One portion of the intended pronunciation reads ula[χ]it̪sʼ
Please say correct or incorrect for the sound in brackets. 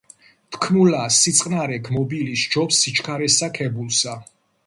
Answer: incorrect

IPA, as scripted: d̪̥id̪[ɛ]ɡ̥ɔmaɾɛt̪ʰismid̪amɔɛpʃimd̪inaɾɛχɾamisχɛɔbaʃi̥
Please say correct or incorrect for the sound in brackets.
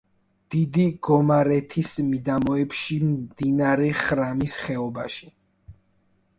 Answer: incorrect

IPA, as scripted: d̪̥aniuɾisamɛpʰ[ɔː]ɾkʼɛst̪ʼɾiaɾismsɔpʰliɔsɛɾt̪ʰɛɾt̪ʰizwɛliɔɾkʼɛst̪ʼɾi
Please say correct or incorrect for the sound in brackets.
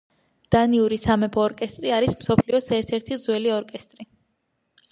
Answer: correct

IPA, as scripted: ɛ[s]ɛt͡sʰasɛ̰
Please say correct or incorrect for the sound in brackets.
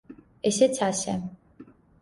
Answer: correct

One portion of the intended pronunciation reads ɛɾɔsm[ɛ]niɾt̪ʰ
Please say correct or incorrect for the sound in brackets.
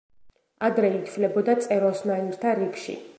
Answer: incorrect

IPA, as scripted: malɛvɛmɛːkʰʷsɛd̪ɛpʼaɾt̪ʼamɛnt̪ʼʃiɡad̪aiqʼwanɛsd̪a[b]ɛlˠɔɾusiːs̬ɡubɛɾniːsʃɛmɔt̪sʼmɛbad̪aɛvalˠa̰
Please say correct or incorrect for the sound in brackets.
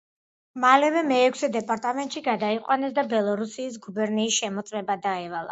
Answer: correct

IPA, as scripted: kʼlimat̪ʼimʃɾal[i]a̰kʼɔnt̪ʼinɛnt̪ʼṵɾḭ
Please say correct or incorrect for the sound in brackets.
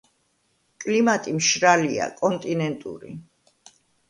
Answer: correct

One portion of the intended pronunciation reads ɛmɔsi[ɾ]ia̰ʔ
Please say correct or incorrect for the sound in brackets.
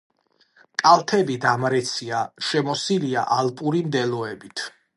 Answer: incorrect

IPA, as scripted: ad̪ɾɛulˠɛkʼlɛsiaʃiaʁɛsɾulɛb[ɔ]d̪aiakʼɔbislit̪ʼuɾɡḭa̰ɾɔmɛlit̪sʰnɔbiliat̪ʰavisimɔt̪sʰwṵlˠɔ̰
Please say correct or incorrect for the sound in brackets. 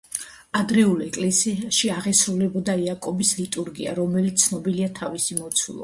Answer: correct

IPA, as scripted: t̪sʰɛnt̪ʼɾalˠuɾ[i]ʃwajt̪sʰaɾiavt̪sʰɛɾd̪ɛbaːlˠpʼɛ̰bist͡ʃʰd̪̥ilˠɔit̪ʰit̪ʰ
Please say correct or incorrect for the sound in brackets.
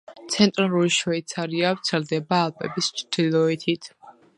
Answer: correct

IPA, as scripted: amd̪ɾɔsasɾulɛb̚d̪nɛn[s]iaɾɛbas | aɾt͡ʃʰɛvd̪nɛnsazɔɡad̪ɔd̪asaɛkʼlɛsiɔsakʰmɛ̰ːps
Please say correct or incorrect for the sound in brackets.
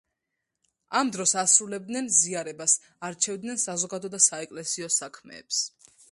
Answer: incorrect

